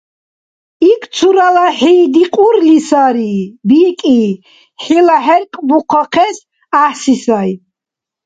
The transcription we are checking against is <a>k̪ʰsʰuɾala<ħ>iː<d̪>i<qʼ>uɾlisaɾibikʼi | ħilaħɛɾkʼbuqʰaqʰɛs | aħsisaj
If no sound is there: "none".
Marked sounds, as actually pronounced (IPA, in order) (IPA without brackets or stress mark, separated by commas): i, ħ, d̪, qʼ